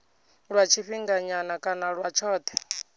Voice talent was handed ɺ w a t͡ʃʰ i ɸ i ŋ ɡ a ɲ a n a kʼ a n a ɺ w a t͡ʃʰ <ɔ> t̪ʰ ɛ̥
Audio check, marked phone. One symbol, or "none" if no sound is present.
ɔː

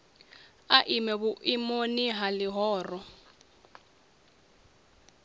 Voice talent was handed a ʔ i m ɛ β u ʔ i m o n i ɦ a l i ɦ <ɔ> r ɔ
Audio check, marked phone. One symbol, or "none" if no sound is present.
ɔː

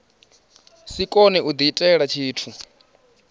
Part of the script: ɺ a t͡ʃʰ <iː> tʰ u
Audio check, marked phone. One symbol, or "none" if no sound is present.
iː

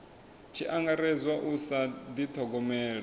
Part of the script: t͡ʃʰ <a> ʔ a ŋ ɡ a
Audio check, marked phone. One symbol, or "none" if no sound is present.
i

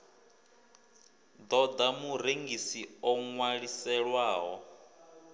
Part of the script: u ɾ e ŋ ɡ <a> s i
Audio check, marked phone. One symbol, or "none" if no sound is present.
i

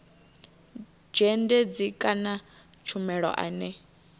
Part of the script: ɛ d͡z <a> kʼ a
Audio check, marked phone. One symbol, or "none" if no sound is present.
i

